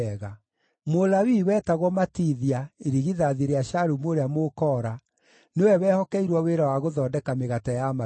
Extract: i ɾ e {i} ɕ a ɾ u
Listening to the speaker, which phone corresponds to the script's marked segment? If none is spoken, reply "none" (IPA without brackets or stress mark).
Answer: a